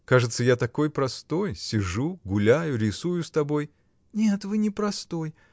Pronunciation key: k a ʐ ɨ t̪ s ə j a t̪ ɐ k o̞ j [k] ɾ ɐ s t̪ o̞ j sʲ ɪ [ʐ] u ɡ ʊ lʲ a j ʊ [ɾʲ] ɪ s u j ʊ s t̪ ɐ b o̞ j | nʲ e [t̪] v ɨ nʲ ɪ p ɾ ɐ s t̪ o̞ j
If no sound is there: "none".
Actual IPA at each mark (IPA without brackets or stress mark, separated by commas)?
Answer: p, ʐ, ɾʲ, t̪